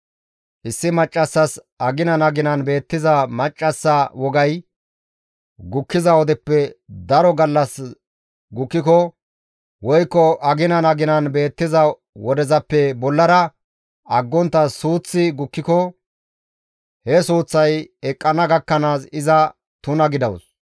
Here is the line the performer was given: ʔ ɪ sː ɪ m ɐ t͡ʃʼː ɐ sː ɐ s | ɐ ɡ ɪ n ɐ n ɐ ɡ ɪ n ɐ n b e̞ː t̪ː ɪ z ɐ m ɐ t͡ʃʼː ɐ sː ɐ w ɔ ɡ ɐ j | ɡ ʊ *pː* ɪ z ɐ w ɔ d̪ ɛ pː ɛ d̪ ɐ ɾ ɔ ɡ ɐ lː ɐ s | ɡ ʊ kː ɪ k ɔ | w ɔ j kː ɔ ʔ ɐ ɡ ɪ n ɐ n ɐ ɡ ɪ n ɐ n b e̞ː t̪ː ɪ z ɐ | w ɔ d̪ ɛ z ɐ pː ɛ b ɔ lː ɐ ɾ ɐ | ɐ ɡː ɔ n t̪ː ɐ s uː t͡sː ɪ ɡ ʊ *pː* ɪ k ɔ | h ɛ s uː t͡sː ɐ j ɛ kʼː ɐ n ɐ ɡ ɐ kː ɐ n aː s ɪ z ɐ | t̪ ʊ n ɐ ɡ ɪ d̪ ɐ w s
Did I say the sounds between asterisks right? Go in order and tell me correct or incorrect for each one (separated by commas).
incorrect, incorrect